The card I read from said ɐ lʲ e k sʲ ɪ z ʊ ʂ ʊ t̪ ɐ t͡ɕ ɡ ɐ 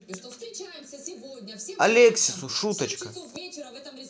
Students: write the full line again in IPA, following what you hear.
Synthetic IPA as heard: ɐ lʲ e k sʲ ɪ s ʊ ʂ u t̪ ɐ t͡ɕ k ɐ